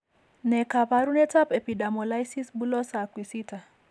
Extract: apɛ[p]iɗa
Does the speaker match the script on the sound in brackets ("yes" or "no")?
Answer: yes